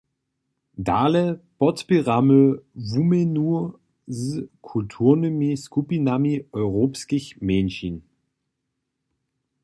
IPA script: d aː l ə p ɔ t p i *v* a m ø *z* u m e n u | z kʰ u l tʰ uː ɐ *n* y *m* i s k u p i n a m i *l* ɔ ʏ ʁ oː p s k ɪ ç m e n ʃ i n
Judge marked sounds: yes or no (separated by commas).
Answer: no, no, yes, yes, no